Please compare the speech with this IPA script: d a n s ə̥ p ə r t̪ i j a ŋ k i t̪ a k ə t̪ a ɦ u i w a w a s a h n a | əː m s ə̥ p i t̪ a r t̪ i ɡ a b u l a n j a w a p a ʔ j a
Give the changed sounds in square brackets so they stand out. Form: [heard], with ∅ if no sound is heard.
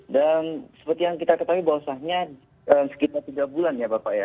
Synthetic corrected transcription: d a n s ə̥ p ə r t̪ i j a ŋ k i t̪ a k ə t̪ a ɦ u i [b] a w a s a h [ɲ] a | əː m s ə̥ [k] i t̪ a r t̪ i ɡ a b u l a n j a [b] a p a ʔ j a